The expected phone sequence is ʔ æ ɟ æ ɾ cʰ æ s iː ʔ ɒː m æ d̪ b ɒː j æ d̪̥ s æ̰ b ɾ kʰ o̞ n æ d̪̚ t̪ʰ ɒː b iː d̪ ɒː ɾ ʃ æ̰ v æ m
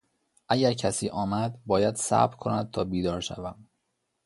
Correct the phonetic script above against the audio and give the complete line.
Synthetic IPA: ʔ æ ɟ æ ɾ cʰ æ s iː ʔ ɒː m æ d̪ b ɒː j æ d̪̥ s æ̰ b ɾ kʰ o̞ n æ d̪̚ t̪ʰ ɒː b iː d̪ ɒː ɾ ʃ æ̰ v æ m